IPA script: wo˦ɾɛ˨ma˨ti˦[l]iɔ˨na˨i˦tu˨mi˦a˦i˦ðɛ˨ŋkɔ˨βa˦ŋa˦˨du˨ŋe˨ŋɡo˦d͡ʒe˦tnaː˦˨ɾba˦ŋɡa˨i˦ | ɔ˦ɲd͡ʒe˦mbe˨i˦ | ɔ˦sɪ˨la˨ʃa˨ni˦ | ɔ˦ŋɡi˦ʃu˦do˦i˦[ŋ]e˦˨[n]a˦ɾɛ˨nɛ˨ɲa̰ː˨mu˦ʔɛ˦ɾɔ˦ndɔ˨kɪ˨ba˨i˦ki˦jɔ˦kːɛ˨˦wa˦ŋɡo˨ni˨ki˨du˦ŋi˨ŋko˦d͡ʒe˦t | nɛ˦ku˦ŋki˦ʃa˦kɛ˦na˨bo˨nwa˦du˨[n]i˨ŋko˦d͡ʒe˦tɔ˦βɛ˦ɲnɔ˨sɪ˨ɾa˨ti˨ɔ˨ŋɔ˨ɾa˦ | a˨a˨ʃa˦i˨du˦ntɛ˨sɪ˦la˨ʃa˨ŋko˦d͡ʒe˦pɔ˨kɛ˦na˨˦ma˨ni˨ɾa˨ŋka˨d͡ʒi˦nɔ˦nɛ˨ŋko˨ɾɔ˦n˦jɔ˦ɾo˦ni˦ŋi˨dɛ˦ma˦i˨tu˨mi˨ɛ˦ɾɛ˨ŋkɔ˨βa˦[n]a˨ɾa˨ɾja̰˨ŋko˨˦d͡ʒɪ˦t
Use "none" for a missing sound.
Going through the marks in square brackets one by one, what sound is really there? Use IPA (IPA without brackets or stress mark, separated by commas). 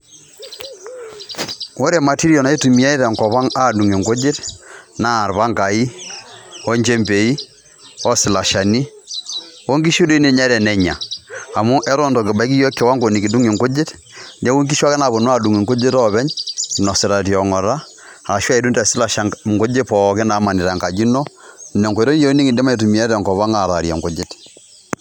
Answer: ɾ, n, ɲ, ŋ, ŋ